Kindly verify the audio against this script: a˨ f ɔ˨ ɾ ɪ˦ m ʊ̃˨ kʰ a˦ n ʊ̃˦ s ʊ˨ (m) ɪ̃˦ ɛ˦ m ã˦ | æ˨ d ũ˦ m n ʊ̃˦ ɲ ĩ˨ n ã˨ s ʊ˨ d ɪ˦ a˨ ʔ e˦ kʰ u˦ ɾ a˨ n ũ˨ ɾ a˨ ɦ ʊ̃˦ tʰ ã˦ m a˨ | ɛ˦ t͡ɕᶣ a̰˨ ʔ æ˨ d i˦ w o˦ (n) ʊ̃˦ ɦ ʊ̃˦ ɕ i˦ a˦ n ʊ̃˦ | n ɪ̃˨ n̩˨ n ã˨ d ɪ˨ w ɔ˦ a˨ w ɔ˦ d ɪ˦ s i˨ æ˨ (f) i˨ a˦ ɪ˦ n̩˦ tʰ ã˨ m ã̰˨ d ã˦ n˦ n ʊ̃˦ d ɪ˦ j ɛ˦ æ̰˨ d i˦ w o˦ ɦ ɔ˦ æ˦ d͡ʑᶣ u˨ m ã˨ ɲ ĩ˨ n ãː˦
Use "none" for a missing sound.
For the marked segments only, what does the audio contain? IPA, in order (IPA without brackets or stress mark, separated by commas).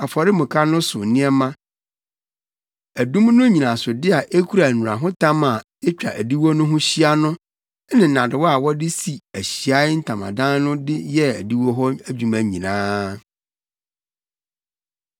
n, n, ɕ